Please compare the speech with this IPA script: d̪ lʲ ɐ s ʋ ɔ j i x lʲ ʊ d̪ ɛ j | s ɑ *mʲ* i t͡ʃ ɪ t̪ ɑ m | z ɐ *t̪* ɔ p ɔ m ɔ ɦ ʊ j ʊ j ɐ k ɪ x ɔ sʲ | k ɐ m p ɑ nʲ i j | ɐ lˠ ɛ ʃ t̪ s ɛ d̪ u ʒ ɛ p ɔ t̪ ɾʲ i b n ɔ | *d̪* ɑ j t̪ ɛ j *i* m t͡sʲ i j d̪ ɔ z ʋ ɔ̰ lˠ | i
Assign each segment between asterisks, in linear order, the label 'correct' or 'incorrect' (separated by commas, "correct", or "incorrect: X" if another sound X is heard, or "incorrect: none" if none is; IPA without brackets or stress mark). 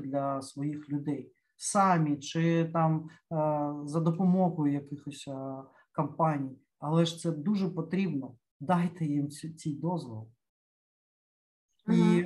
correct, incorrect: d̪, correct, correct